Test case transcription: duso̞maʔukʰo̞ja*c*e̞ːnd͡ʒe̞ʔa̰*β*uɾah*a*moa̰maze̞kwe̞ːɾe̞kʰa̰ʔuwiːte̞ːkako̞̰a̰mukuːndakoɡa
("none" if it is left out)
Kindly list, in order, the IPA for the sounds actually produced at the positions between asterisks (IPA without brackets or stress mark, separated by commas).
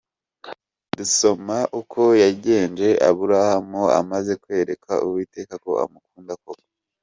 ɟ, β, a